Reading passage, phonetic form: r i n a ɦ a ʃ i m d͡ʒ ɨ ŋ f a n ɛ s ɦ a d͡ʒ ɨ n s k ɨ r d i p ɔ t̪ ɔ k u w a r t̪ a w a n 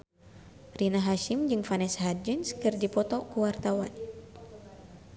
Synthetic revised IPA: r i n a ɦ a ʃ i m d͡ʒ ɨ ŋ f a n ɛ s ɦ a d͡ʒ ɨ n s k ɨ r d i p ɔ t̪ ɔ k u w a r t̪ a w a n